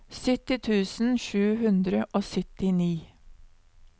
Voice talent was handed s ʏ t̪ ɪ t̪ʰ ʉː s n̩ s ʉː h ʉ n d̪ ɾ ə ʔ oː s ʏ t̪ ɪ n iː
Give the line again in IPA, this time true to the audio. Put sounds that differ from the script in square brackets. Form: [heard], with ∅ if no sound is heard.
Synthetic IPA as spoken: s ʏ t̪ ɪ t̪ʰ ʉː s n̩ [ʃ] ʉː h ʉ n d̪ ɾ ə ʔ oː s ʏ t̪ ɪ n iː